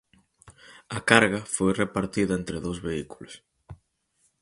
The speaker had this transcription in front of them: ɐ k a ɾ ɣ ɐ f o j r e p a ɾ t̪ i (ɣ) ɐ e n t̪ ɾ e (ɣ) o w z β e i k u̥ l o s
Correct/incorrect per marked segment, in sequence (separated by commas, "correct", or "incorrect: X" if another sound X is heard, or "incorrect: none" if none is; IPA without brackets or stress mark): incorrect: ð, incorrect: ð